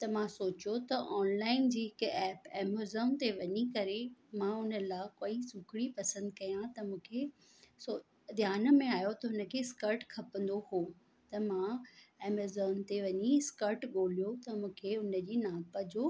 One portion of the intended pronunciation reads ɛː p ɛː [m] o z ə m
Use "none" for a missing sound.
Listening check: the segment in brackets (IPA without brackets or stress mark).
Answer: m